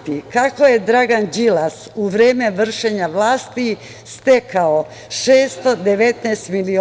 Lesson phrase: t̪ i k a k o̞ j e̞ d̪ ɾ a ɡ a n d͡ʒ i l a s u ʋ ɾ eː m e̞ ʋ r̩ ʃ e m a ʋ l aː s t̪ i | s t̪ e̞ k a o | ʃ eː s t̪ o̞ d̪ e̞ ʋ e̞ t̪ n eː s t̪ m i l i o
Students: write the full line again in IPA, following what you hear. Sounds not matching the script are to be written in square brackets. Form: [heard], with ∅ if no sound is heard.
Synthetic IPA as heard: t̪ i k a k o̞ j e̞ d̪ ɾ a ɡ a n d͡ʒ i l a s u ʋ ɾ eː m e̞ ʋ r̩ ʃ e [ɲ] a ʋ l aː s t̪ i | s t̪ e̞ k a o | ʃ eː s t̪ o̞ d̪ e̞ ʋ e̞ t̪ n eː s t̪ m i l i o